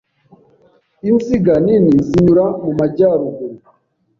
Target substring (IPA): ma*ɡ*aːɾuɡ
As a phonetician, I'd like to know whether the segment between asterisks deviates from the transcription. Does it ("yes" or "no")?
yes